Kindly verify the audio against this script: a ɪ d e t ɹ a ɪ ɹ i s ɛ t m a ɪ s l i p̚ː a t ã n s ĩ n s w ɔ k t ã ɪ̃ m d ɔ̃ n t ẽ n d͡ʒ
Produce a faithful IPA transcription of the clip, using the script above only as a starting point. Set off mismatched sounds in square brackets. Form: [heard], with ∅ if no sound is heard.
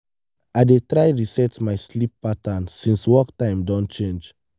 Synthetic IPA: a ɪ d e t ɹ a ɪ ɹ i s ɛ t m a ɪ s l i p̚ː a t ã n s ĩ n s w ɔ k t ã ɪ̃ m d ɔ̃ n [t͡ʃ] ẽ n d͡ʒ